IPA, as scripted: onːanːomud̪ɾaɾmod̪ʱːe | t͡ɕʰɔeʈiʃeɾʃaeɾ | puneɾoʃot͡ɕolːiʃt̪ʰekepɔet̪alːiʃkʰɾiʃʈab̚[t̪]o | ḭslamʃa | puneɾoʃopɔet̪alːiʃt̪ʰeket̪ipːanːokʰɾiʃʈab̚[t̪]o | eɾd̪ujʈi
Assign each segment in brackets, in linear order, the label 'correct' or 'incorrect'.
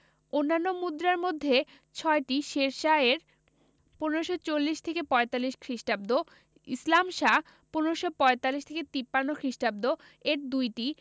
incorrect: d̪, incorrect: d̪

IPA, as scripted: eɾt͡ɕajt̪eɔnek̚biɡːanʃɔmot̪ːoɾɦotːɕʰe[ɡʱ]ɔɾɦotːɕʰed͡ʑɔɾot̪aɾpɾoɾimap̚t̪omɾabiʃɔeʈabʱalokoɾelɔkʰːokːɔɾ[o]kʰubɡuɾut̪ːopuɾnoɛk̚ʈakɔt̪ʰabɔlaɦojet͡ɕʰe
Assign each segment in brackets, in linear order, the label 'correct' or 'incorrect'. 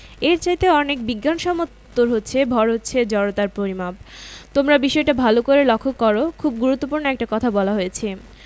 incorrect: bʱ, correct

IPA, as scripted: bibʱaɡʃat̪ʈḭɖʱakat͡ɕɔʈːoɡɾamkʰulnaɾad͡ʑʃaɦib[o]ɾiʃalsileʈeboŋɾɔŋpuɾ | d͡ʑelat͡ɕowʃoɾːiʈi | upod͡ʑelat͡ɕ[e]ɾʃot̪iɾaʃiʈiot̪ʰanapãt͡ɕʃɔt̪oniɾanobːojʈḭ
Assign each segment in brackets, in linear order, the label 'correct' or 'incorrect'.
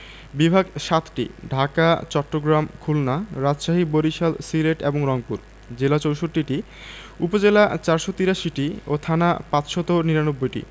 correct, incorrect: a

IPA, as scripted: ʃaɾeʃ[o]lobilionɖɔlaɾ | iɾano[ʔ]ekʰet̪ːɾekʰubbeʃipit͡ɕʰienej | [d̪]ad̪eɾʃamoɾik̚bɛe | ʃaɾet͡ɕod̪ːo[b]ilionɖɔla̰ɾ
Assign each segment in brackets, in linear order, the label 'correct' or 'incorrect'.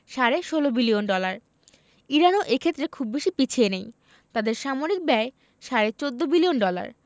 correct, correct, incorrect: t̪, correct

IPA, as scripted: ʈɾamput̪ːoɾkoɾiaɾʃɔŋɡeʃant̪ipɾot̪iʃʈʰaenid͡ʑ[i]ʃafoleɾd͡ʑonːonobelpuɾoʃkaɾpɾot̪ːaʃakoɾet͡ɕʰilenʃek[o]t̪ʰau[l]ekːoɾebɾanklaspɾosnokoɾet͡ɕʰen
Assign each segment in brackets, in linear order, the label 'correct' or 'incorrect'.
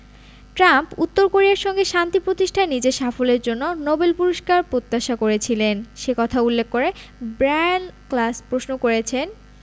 incorrect: e, incorrect: ɔ, incorrect: lː

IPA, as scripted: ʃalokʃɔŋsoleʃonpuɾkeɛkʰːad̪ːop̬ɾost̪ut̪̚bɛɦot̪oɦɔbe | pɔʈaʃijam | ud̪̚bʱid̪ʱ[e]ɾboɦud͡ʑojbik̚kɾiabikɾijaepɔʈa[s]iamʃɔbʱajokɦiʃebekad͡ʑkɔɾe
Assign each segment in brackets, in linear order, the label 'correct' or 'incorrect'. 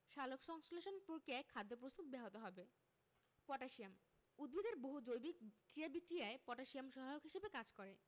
correct, incorrect: ʃ

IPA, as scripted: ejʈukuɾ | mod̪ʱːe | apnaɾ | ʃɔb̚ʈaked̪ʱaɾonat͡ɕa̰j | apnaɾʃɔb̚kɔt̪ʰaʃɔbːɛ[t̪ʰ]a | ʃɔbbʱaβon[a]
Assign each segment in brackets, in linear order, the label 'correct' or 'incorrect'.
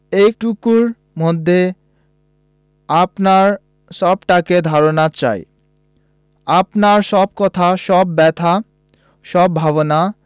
correct, correct

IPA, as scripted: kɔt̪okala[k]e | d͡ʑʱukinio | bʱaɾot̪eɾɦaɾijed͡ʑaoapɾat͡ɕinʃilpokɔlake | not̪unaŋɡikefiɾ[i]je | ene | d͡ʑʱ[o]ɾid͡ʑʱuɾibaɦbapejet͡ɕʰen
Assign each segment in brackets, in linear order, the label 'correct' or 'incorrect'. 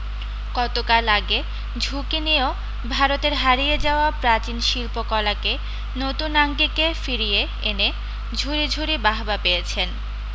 incorrect: ɡ, correct, incorrect: u

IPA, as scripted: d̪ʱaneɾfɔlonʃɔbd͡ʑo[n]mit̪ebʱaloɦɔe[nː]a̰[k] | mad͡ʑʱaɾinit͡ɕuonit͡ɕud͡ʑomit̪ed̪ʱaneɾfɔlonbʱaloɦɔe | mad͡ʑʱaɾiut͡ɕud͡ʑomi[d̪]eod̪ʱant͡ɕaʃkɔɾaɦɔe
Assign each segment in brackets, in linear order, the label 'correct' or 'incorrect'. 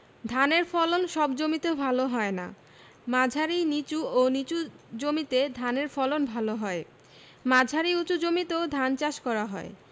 incorrect: none, incorrect: n, incorrect: none, incorrect: t̪

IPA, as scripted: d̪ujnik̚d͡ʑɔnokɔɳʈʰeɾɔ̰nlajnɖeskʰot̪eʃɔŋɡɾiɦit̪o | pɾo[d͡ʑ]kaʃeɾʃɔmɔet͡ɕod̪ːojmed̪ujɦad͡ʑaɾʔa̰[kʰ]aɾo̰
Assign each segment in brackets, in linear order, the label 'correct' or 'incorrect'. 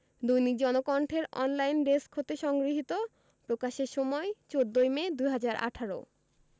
incorrect: none, incorrect: ʈʰ

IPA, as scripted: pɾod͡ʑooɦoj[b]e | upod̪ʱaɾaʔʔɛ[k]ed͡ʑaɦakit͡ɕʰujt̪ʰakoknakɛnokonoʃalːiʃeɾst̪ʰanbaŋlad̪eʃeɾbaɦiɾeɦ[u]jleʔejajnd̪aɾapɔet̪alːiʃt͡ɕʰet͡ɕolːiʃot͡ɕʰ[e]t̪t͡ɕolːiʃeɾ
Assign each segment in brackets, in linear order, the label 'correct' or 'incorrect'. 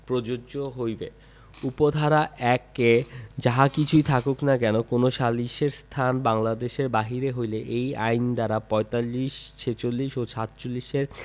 correct, correct, incorrect: o, incorrect: a

